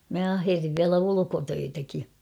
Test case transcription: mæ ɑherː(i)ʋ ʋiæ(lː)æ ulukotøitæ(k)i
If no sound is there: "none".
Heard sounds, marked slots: i, l, k

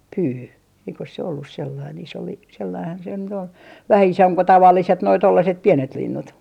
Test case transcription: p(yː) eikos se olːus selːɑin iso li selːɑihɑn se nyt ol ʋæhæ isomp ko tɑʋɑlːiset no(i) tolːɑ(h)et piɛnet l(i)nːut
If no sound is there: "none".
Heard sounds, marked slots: yː, i, s, i

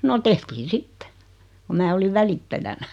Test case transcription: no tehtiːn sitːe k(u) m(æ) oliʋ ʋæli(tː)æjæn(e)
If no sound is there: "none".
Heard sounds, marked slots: u, æː, tː, æ

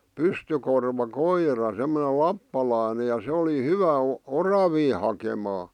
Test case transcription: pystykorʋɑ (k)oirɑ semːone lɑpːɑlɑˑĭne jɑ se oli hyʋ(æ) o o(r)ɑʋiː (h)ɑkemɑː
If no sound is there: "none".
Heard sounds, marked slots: k, æ, r, h

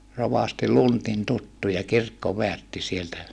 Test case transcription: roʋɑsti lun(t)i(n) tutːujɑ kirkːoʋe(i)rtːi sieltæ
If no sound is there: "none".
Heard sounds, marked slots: t, n, æ

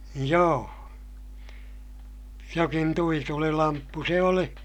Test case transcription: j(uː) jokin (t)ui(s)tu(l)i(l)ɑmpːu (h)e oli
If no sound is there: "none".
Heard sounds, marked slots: oː, t, none, l, l, s

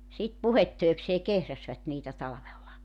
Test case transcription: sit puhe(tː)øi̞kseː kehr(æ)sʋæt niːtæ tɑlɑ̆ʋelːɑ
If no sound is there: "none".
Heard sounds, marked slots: tː, æ

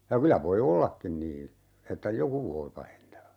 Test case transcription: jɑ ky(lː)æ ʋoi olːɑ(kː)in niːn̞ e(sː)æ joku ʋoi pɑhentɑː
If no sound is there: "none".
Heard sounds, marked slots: l, kː, tː

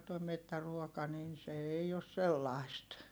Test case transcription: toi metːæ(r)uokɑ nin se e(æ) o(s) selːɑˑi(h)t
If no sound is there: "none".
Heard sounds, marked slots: r, i, s, s

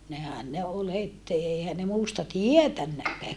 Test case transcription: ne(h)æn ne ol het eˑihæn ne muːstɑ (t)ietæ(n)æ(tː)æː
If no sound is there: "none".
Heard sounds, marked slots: h, t, nː, kː

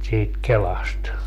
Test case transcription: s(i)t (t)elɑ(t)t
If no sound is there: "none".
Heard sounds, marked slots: iː, k, s

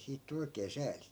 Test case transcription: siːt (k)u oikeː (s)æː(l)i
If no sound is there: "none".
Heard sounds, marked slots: t, s, l

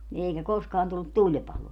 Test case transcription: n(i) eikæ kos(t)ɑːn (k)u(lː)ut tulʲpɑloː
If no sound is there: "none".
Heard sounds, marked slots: i, k, t, lː

